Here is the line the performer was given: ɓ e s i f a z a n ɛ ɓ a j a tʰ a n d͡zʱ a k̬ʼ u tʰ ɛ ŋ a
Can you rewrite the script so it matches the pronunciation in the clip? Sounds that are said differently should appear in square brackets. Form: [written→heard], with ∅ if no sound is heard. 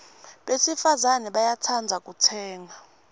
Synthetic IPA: ɓ e s i f a z a n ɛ ɓ a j a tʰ a n d͡zʱ a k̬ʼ u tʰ [ɛ→ɛː] ŋ a